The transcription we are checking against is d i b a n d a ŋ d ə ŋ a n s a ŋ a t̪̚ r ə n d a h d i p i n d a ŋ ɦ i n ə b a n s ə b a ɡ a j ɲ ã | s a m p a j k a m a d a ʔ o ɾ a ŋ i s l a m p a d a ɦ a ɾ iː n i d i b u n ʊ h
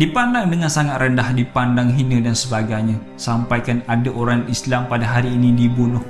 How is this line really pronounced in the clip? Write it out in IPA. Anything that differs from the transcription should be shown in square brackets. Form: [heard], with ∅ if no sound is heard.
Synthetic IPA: d i [p] a n d a ŋ d ə ŋ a n s a ŋ a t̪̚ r ə n d a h d i p [a] n d a ŋ ɦ i n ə [d] a n s ə b a ɡ a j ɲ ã | s a m p a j k a [n] a d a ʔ o ɾ a ŋ i s l a m p a d a ɦ a ɾ iː n i d i b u n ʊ h